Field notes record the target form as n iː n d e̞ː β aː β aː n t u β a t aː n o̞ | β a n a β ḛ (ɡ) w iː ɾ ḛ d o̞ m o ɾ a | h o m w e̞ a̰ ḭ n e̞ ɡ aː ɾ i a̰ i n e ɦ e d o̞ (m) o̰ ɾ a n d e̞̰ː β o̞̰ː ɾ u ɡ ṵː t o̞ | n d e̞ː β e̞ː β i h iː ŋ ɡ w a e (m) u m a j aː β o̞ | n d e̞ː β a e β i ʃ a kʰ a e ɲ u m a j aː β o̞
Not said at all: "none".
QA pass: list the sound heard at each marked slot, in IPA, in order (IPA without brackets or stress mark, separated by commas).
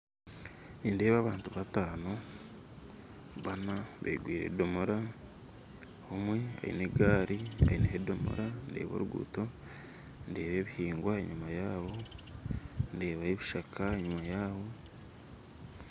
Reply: ɡ, m, ɲ